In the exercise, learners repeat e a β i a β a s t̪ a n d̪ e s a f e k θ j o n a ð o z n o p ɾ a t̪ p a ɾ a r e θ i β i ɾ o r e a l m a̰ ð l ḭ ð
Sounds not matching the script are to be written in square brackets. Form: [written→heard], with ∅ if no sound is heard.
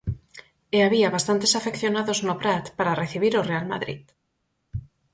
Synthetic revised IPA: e a β i a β a s t̪ a n [d̪→t̪] e s a f e k θ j o n a ð o z n o p ɾ a t̪ p a ɾ a r e θ i β i ɾ o r e a l m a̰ ð [l→ɾ] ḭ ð